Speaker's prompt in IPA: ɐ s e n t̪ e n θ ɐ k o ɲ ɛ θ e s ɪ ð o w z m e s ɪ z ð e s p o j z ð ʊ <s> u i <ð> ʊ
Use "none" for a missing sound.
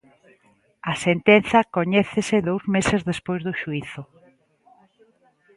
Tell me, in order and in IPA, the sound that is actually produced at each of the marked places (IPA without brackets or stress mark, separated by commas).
ʃ, θ